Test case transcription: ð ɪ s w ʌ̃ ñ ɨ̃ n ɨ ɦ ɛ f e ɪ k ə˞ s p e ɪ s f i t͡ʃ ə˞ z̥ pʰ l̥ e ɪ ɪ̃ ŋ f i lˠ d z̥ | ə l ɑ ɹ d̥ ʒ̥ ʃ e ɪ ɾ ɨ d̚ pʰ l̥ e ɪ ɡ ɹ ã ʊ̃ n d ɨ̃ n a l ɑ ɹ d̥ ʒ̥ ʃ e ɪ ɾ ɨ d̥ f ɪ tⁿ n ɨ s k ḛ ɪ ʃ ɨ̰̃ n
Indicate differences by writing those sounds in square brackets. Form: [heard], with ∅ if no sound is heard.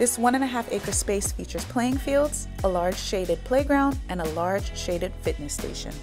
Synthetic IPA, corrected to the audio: ð ɪ s w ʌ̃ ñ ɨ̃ n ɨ ɦ [æ] f e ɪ k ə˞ s p e ɪ s f i t͡ʃ ə˞ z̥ pʰ l̥ e ɪ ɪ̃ ŋ f i lˠ d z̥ | ə l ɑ ɹ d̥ ʒ̥ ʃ e ɪ ɾ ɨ d̚ pʰ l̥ e ɪ ɡ ɹ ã ʊ̃ n d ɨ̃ n [ə] l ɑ ɹ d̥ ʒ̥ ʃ e ɪ ɾ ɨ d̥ f ɪ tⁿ n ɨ s [t] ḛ ɪ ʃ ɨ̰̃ n

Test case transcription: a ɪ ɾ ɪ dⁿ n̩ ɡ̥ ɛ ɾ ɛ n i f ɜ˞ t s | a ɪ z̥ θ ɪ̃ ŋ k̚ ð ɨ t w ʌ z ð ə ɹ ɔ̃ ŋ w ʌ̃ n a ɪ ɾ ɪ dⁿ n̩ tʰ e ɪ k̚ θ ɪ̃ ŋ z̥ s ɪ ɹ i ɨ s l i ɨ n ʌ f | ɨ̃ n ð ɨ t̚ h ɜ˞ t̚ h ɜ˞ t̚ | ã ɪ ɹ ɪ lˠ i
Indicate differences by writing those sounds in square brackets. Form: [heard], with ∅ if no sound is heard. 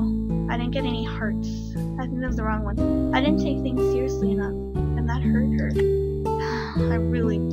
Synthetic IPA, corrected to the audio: a ɪ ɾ ɪ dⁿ n̩ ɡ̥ ɛ ɾ ɛ n i [h] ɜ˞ t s | a ɪ [∅] θ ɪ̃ ŋ k̚ ð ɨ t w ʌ z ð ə ɹ ɔ̃ ŋ w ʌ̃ n a ɪ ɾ ɪ dⁿ n̩ tʰ e ɪ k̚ θ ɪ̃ ŋ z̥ s ɪ ɹ i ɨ s l i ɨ n ʌ f | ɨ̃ n ð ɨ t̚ h ɜ˞ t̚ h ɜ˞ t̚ | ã ɪ ɹ ɪ lˠ i

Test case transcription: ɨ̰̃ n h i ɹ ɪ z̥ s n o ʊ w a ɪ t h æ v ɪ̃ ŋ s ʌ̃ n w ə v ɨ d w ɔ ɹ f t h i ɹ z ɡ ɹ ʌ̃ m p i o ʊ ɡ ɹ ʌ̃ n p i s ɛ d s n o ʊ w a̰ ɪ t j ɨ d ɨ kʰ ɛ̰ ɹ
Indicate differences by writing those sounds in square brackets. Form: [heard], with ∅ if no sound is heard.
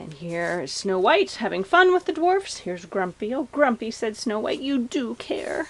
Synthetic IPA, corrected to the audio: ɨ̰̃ n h i ɹ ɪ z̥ s n o ʊ w a ɪ t h æ v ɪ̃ ŋ [f] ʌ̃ n w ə [ð] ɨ d w ɔ ɹ f [s] h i ɹ z ɡ ɹ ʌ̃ m p i o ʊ ɡ ɹ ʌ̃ [m] p i s ɛ d s n o ʊ w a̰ ɪ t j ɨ d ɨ kʰ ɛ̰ ɹ

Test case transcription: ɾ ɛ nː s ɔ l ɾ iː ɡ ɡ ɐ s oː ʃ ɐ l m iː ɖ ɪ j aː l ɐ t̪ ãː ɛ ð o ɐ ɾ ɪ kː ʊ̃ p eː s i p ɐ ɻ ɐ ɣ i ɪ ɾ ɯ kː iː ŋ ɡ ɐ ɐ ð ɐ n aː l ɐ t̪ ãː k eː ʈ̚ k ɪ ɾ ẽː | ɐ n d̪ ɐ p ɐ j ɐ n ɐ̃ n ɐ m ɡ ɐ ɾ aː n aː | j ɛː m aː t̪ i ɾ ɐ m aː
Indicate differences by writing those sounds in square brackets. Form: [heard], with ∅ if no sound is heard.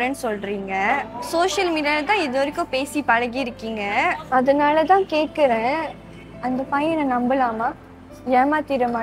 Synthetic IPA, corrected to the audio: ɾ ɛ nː s ɔ l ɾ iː [ŋ] ɡ ɐ s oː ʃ ɐ l m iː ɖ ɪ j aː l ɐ t̪ ãː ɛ ð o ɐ ɾ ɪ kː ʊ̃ p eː s i p ɐ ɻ ɐ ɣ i ɪ ɾ ɯ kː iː ŋ ɡ ɐ ɐ ð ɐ n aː l ɐ t̪ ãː k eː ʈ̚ k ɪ ɾ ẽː | ɐ n d̪ ɐ p ɐ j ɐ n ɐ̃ n ɐ m [b] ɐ [l] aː [m] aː | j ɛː m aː t̪ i ɾ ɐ m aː

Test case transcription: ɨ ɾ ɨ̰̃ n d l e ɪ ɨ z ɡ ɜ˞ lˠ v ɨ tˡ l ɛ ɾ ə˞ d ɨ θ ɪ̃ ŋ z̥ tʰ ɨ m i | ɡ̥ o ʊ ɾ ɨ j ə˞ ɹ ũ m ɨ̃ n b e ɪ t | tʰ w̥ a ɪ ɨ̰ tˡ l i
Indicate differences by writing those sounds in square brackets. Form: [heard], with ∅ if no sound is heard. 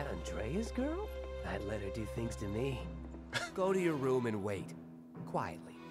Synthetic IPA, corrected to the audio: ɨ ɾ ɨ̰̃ n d [ɹ] e ɪ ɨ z ɡ ɜ˞ lˠ [ð] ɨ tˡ l ɛ ɾ ə˞ d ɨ θ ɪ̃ ŋ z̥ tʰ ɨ m i | ɡ̥ o ʊ ɾ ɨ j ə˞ ɹ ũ m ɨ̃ n [w] e ɪ t | [kʰ] w̥ a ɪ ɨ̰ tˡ l i

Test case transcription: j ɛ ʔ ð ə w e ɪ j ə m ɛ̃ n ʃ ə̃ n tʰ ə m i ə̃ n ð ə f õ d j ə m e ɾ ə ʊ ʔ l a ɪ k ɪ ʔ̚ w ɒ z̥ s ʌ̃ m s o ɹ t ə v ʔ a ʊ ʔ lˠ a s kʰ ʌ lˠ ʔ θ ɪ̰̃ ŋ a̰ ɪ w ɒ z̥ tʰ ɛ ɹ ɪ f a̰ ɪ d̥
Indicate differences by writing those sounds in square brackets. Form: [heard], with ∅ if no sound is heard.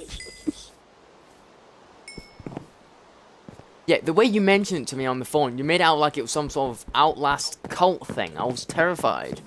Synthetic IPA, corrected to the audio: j ɛ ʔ ð ə w e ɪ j ə m ɛ̃ n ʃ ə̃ n tʰ ə m i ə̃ n ð ə f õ [n] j ə m e ɾ [a] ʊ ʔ l a ɪ k ɪ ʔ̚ w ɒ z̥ s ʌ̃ m s [ɔ] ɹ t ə v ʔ a ʊ ʔ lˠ a s kʰ ʌ lˠ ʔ θ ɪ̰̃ ŋ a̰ ɪ w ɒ z̥ tʰ ɛ ɹ ɪ f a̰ ɪ d̥

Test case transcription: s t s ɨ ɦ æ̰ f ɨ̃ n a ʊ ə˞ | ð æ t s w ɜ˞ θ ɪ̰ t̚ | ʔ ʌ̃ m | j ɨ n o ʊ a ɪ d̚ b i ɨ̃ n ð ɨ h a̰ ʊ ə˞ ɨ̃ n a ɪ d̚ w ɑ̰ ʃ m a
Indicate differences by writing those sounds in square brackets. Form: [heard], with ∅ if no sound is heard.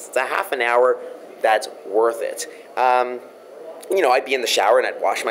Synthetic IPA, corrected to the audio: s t s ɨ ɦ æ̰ f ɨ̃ n a ʊ ə˞ | ð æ t s w ɜ˞ θ ɪ̰ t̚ | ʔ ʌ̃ m | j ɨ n o ʊ a ɪ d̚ b i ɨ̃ n ð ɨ [ʃ] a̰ ʊ ə˞ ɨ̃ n a ɪ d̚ w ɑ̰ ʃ m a

